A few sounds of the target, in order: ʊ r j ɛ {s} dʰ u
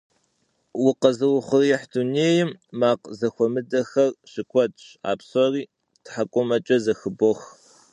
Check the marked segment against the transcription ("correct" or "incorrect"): incorrect